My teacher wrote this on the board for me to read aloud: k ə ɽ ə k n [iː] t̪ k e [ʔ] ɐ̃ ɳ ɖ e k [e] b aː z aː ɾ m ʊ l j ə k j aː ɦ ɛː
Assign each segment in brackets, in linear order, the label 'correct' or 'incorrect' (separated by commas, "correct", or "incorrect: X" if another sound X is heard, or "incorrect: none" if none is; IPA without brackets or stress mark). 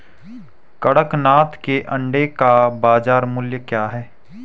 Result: incorrect: aː, correct, incorrect: a